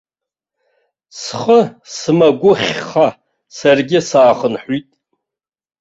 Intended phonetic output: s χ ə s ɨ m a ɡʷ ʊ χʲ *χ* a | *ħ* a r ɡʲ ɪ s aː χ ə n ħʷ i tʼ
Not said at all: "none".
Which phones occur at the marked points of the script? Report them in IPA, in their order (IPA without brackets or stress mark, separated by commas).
χ, s